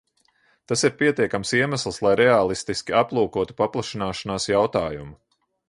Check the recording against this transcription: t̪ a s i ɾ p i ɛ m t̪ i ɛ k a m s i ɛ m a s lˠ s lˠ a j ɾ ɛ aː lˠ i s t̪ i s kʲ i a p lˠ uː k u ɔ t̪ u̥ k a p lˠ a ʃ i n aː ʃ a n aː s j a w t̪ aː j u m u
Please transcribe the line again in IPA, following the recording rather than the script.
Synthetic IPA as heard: t̪ a s i ɾ p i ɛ t̪ i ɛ k a m s i ɛ m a s lˠ s lˠ a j ɾ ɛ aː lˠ i s t̪ i s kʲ i a p lˠ uː k u ɔ t̪ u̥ p a p lˠ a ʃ i n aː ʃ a n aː s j a w t̪ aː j u m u

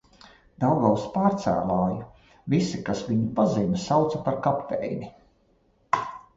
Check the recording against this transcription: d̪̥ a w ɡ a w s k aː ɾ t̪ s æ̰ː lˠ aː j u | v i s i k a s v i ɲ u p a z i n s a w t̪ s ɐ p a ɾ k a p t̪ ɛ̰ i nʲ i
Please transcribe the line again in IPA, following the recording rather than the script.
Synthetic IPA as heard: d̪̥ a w ɡ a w s p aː ɾ t̪ s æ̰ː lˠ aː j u | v i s i k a s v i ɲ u p a z i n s a w t̪ s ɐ p a ɾ k a p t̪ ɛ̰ j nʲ i

